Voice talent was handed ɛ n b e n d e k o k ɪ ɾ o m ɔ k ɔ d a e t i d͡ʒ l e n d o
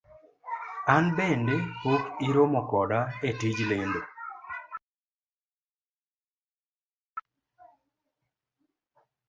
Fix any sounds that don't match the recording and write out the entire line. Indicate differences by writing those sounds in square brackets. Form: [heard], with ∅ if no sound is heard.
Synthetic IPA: [a] n b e n d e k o k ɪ ɾ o m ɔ k ɔ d a e t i d͡ʒ l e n d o